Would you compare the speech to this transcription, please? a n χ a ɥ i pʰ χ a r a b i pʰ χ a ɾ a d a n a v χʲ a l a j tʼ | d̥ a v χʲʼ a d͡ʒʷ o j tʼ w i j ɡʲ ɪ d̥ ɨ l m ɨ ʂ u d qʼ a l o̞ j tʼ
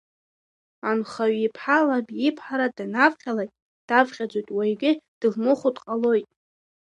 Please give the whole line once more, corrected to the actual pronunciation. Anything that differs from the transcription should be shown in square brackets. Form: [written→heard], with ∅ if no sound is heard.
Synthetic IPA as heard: a n χ a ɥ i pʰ [χ→ħ] a [r→l] a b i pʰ [χ→ħ] a ɾ a d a n a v χʲ a l a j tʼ | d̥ a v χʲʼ a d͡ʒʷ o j tʼ w [i→a] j ɡʲ ɪ d̥ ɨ l m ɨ [ʂ→χ] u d qʼ a l o̞ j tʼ